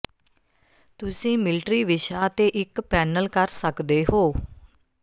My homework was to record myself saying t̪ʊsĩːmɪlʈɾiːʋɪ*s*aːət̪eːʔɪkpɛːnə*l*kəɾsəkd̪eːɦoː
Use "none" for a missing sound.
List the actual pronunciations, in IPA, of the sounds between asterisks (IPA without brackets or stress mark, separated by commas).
ʃ, l